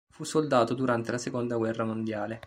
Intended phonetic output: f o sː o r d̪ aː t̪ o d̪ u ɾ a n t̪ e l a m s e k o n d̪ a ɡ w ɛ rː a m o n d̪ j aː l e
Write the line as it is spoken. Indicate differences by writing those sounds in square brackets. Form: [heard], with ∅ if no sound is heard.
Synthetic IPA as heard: f [u] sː o [l] d̪ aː t̪ o d̪ u ɾ a n t̪ e l a [∅] s e k o n d̪ a ɡ w ɛ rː a m o n d̪ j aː l e